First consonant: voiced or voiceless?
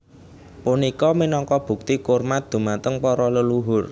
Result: voiceless